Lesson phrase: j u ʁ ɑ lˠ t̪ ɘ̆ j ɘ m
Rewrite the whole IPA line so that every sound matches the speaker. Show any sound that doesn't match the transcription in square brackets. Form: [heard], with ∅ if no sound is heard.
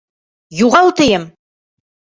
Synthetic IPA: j u ʁ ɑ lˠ t̪ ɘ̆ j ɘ m